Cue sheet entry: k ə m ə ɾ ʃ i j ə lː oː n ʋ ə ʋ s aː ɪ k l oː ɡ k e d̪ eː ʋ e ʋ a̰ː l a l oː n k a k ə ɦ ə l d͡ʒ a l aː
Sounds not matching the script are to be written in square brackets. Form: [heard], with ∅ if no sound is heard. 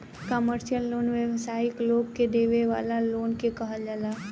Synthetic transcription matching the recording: k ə m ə ɾ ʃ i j ə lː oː n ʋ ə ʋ s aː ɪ k l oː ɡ k e d̪ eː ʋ e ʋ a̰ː l a l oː n k [e] k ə ɦ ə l d͡ʒ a l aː

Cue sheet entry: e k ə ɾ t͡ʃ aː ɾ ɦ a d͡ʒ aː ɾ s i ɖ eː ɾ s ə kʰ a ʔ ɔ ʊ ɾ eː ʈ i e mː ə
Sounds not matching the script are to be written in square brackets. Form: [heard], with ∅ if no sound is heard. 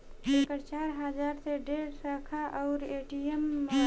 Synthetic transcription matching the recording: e k ə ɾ t͡ʃ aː ɾ ɦ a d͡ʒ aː ɾ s [e] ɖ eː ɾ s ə kʰ a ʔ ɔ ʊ ɾ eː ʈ i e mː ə

